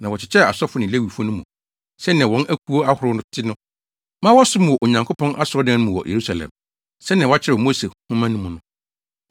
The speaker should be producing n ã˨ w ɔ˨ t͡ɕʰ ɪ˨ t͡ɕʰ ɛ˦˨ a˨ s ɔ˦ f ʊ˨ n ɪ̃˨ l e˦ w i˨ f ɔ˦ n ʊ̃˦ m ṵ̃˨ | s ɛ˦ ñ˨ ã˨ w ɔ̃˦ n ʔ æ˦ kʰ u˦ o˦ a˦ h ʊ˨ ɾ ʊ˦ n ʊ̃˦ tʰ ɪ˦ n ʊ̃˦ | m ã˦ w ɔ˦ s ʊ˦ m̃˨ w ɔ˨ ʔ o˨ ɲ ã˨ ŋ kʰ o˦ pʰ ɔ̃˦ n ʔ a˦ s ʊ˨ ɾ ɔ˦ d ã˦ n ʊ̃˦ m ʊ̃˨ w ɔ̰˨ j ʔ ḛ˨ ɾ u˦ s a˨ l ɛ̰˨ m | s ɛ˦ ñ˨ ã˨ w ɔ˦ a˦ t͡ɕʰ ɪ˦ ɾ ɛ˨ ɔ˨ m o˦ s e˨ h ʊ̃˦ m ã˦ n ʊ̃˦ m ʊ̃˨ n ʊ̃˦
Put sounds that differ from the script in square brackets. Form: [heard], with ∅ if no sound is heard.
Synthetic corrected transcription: n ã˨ w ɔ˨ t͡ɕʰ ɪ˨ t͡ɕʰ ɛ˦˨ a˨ s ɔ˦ f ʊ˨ n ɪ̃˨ l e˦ w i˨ f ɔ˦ n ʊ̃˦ m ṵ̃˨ | s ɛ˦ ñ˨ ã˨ w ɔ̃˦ n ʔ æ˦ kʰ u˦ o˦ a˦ h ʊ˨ ɾ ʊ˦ n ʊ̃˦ tʰ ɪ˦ n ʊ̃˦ | m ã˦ w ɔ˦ s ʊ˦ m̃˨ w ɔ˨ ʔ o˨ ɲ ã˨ ŋ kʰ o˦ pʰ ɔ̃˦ n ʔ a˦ s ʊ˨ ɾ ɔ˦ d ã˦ n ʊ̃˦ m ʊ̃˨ w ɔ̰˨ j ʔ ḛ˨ ɾ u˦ s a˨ l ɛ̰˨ m | s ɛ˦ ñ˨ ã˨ w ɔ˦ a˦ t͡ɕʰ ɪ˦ ɾ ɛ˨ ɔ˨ m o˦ s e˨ h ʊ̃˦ m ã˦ n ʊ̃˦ m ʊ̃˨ n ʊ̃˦

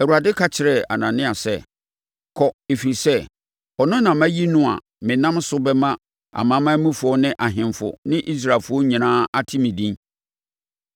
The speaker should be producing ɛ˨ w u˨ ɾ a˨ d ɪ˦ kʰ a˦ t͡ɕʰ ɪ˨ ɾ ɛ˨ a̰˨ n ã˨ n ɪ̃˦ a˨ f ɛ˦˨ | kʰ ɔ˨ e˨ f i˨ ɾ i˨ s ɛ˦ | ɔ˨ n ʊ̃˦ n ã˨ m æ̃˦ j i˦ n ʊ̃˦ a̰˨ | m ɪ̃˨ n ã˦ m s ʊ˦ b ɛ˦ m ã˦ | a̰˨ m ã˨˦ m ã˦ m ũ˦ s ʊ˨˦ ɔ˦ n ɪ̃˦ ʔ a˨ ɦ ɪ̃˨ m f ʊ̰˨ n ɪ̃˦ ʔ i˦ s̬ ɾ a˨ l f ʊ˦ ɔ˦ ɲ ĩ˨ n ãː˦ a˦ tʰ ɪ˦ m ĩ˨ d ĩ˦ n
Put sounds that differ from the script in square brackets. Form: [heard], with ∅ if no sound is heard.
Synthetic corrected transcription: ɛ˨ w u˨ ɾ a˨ d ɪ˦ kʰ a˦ t͡ɕʰ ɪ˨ ɾ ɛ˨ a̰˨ n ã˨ n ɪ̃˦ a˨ [s] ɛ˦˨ | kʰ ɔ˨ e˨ f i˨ ɾ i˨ s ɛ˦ | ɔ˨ n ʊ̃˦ n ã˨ m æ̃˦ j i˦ n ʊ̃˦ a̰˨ | m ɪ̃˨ n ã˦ m s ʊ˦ b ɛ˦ m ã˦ | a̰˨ m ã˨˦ m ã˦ m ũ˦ [f] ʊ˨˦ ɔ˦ n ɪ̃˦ ʔ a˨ ɦ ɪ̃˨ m f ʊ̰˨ n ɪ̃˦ ʔ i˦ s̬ ɾ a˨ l f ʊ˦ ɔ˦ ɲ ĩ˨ n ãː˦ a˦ tʰ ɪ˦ m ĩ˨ d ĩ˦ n

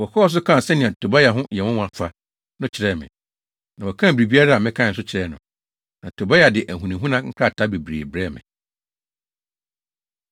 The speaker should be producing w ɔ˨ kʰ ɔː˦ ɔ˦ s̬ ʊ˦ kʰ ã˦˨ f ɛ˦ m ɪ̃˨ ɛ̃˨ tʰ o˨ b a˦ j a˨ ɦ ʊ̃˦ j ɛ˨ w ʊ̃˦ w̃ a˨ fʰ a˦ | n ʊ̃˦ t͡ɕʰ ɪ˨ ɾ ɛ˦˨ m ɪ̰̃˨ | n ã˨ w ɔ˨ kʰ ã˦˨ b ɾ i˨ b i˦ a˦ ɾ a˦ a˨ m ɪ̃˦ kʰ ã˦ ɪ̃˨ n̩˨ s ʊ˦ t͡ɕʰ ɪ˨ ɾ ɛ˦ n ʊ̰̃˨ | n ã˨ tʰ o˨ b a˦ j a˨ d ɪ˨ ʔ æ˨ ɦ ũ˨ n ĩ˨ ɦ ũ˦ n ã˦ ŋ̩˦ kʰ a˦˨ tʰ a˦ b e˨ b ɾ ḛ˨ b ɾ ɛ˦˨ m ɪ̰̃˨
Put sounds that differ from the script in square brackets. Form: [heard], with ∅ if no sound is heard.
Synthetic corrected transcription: w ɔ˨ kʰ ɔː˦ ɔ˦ s̬ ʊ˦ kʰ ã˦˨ [s] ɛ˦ [n] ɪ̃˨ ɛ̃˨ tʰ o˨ b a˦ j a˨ ɦ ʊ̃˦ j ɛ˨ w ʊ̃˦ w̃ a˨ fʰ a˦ | n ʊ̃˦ t͡ɕʰ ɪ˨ ɾ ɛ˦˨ m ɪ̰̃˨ | n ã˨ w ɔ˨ kʰ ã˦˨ b ɾ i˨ b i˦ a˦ ɾ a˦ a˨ m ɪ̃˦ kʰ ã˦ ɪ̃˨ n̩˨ s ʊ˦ t͡ɕʰ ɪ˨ ɾ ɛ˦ n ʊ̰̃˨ | n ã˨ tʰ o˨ b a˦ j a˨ d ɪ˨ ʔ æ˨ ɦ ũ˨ n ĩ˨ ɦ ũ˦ n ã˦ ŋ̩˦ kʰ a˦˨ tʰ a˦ b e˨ b ɾ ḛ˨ b ɾ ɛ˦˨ m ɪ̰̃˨

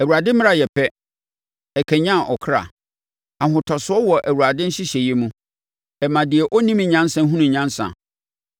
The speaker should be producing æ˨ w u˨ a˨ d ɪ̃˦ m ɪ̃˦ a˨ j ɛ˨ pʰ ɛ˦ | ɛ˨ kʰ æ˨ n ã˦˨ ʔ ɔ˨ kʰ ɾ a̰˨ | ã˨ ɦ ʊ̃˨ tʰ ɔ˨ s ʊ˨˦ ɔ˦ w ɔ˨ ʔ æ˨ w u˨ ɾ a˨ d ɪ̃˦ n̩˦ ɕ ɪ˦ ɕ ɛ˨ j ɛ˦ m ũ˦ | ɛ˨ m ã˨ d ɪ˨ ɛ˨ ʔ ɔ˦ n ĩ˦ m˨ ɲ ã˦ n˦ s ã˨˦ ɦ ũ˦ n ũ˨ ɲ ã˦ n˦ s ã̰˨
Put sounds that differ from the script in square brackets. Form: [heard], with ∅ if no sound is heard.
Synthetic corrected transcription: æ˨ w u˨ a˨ d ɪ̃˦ m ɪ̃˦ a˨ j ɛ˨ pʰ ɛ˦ | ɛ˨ kʰ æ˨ [ɲ] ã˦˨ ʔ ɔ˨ kʰ ɾ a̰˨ | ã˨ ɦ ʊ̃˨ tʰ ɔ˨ s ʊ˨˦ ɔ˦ w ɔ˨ ʔ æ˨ w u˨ ɾ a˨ d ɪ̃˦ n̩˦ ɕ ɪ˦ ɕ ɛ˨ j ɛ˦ m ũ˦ | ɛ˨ m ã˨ d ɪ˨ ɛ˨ ʔ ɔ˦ n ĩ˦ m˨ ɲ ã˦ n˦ s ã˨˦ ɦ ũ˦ n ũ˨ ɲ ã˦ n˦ s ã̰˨

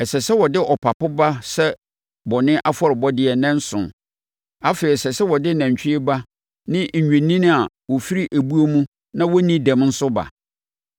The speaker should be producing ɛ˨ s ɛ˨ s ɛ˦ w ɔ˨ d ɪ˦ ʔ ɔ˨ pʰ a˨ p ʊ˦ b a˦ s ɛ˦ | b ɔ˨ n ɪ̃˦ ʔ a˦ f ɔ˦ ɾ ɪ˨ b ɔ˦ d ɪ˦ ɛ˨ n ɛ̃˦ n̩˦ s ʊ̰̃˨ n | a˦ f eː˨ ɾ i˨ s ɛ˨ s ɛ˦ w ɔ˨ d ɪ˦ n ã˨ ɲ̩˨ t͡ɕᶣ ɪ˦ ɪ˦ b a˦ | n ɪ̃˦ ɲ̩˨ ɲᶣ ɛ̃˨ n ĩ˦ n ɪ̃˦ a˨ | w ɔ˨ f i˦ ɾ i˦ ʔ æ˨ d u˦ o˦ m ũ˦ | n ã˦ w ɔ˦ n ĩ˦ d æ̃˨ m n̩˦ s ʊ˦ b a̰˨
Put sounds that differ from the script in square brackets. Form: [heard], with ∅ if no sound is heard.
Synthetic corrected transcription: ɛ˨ s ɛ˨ s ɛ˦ w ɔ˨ d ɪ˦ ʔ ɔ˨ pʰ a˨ p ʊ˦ b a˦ s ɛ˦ | b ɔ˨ n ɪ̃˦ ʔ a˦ f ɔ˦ ɾ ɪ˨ b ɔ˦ d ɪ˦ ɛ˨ n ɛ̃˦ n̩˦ s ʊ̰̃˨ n | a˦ f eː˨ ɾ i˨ s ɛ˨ s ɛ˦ w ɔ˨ d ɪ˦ n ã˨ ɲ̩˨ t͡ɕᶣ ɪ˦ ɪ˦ b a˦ | n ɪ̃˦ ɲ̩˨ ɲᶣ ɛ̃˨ n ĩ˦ n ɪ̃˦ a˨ | w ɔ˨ f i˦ ɾ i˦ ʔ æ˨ [b] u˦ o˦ m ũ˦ | n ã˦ w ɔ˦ n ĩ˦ d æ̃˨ m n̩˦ s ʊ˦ b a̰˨

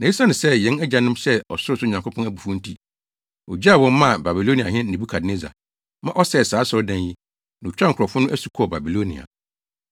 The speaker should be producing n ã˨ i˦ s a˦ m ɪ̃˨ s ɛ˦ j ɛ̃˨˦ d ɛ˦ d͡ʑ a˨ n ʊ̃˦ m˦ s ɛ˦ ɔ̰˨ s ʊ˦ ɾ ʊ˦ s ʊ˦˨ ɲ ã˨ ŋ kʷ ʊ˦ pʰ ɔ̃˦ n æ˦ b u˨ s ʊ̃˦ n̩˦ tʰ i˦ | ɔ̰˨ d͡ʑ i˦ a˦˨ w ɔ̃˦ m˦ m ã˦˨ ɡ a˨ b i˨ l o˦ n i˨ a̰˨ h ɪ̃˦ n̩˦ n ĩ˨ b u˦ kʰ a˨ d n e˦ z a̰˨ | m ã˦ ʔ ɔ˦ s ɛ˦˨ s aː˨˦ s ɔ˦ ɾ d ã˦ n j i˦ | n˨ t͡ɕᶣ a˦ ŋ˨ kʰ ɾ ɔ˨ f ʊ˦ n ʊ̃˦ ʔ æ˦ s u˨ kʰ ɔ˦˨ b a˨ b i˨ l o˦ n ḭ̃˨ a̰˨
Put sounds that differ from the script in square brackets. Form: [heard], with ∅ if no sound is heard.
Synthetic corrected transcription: n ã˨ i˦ s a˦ [n] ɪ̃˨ s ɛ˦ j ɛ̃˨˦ [n] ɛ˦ d͡ʑ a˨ n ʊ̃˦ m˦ s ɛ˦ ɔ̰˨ s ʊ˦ ɾ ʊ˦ s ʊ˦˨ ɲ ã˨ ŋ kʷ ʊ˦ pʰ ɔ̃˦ n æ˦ b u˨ [f] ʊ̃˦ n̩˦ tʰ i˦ | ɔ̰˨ d͡ʑ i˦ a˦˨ w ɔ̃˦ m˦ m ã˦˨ [b] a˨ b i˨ l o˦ n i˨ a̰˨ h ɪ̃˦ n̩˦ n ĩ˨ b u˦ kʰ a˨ d n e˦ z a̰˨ | m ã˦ ʔ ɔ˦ s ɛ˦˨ s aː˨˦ s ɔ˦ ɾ d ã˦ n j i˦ | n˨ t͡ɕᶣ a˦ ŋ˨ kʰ ɾ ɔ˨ f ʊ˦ n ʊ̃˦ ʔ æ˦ s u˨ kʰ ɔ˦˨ b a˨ b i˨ l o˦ n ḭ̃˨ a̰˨

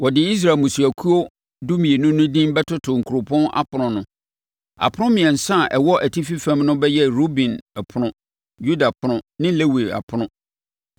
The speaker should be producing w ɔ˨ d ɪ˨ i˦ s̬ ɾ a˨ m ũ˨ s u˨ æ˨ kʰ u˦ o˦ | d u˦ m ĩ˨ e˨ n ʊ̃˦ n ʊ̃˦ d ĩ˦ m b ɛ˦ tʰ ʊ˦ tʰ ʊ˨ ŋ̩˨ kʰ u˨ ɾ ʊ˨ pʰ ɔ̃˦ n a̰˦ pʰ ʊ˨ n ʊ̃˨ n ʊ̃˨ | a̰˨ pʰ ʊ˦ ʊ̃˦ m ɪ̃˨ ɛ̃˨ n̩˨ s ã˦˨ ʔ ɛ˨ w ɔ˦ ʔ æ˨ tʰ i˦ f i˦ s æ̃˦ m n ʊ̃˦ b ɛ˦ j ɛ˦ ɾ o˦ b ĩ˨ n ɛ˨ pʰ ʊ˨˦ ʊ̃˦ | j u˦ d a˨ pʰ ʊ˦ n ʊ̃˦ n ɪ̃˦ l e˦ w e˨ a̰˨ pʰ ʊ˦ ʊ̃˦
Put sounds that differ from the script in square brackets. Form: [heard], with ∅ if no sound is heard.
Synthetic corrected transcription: w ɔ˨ d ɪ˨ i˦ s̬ ɾ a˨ m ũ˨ s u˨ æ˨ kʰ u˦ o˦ | d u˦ m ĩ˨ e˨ n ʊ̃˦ n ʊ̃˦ d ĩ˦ m b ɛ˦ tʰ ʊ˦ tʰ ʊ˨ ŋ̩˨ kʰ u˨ ɾ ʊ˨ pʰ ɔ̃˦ n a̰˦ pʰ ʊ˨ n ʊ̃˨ n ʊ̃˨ | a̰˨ pʰ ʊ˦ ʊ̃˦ m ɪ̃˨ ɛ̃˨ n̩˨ s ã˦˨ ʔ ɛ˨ w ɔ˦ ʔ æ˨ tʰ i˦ f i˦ [f] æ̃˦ m n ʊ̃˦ b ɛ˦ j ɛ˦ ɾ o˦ b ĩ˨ n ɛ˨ pʰ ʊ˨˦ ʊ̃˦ | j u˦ d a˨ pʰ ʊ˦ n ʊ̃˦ n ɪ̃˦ l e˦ w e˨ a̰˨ pʰ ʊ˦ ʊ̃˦

